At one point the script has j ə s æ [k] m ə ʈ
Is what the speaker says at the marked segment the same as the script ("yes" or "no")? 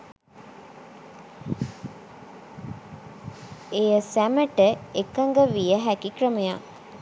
no